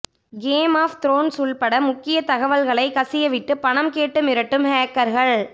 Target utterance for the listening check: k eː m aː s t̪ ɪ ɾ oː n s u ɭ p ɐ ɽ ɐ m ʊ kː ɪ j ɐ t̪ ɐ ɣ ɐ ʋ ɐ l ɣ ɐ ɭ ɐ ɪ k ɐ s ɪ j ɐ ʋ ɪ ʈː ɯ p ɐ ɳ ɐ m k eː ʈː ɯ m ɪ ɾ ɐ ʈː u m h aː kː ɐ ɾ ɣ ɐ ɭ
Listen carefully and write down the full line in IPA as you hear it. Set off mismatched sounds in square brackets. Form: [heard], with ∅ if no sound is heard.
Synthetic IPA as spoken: [ɡ] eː m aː [f] t̪ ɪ ɾ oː n s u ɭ p ɐ ɽ ɐ m ʊ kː ɪ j ɐ t̪ ɐ ɣ ɐ ʋ ɐ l ɣ ɐ ɭ ɐ ɪ k ɐ s ɪ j ɐ ʋ ɪ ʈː ɯ p ɐ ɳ ɐ m k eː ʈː ɯ m ɪ ɾ ɐ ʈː [ɯ] m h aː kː ɐ ɾ ɣ ɐ ɭ